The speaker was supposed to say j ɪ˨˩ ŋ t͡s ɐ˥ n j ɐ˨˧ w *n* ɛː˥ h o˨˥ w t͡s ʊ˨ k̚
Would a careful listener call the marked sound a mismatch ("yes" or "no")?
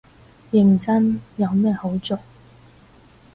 yes